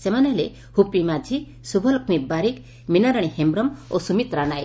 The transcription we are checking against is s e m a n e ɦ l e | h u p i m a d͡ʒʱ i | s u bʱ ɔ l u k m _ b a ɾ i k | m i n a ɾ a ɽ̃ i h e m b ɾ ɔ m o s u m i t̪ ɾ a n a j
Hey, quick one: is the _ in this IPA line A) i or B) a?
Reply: A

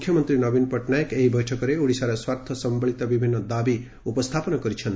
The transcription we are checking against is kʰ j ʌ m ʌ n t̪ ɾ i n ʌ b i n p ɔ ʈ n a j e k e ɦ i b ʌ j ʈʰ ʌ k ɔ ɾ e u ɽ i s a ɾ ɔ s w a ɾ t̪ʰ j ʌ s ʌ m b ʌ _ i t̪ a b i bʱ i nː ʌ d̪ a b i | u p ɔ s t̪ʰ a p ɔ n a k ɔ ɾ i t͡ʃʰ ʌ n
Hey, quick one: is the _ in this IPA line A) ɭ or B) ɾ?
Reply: A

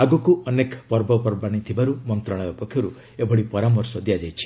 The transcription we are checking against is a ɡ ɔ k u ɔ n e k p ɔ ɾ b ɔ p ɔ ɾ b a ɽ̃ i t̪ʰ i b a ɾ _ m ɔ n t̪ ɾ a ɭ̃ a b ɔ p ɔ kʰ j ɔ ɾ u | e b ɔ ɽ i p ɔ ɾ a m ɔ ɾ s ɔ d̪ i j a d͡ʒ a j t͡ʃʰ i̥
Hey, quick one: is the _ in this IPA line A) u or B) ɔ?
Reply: A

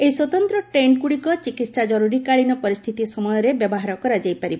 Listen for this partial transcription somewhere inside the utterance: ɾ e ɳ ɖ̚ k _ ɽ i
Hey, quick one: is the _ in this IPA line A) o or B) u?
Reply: B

